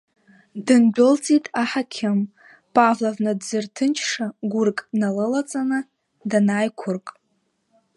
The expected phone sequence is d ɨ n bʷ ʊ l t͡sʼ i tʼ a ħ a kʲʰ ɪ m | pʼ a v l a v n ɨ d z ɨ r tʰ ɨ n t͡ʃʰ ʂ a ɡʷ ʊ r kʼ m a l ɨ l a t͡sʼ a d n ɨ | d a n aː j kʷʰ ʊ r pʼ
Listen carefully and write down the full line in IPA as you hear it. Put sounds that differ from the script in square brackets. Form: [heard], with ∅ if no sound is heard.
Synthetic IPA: d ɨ n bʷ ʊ l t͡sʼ i tʼ a ħ a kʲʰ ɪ m | pʼ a v l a v n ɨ d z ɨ r tʰ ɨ n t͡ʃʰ ʂ a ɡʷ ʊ r kʼ [n] a l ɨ l a t͡sʼ a [∅] n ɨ | d a n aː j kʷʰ ʊ r [kʼ]